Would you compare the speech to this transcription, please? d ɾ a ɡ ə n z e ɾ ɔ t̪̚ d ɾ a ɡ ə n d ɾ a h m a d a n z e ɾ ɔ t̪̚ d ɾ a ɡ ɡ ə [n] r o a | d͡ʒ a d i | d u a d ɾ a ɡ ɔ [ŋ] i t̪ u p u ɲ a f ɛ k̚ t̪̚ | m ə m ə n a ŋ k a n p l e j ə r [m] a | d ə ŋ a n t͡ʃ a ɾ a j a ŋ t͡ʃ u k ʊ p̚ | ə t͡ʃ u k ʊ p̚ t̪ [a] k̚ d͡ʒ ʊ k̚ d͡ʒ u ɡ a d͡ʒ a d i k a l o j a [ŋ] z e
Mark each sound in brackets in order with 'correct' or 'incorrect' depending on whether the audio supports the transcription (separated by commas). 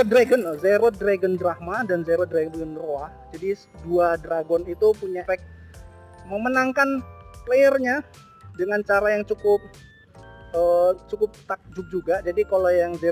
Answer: correct, incorrect, incorrect, correct, correct